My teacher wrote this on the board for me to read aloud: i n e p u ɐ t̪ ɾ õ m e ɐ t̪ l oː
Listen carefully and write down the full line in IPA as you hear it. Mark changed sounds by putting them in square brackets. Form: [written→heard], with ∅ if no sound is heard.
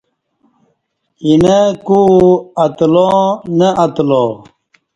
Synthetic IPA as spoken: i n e [p→k] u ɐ t̪ [ɾ→l] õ [m→n] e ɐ t̪ l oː

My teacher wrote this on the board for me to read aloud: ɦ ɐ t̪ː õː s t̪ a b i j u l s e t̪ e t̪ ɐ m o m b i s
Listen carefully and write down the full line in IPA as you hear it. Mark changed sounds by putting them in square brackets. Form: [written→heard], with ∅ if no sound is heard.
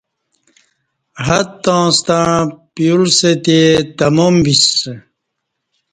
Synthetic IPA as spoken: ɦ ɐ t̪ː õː s t̪ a [b→p] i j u l s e t̪ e t̪ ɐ m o m b i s

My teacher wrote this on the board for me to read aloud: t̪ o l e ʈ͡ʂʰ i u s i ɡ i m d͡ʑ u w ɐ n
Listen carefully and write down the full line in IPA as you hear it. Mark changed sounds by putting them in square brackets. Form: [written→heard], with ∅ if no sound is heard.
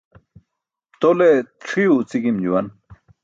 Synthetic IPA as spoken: t̪ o l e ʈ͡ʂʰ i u [s→t͡s] i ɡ i m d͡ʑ u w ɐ n

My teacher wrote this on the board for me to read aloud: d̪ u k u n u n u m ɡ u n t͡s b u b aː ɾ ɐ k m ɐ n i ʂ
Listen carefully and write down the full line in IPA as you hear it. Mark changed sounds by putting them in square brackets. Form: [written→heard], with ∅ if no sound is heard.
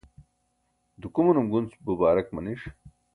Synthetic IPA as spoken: d̪ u k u [n→m] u n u m ɡ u n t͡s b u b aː ɾ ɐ k m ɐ n i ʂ

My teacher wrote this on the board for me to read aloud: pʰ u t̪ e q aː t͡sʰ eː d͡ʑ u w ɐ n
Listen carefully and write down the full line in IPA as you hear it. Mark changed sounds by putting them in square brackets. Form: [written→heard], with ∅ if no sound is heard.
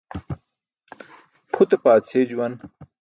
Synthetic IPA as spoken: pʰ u t̪ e [q→p] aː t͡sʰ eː d͡ʑ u w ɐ n

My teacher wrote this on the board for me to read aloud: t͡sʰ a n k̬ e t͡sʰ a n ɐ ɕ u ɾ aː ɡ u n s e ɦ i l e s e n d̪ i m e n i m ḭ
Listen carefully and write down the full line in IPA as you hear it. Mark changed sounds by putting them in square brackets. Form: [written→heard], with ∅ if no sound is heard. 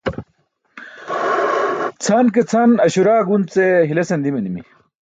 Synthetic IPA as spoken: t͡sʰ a n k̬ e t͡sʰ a n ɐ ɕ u ɾ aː ɡ u n [s→t͡s] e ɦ i l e s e n d̪ i m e n i m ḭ

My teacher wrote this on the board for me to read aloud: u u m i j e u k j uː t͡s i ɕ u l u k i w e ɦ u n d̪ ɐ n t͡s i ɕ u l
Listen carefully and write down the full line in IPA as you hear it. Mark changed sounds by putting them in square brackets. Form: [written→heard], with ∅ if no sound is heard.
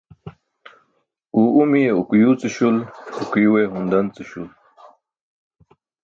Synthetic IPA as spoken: u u m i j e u k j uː t͡s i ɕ u l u k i w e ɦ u n d̪ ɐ n t͡s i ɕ u l

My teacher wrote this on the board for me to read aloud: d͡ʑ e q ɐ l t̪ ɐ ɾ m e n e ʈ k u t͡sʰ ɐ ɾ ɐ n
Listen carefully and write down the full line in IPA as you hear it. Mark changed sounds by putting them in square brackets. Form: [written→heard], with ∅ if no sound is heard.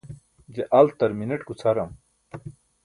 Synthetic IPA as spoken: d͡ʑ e [q→ʔ] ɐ l t̪ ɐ ɾ m [e→i] n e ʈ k u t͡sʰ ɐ ɾ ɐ [n→m]

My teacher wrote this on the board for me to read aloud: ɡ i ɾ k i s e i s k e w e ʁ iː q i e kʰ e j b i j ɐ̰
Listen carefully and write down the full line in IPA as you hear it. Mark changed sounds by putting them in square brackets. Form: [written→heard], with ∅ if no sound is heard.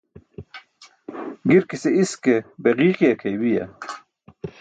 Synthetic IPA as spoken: ɡ i ɾ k i s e i s k e [w→b] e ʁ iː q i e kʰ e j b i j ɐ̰

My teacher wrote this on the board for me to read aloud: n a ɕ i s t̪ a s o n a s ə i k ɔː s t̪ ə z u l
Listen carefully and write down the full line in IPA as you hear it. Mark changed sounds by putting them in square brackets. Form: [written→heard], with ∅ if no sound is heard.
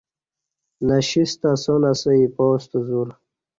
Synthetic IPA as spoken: n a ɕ i s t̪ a s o n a s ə i [k→p] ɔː s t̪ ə z u [l→ɾ]

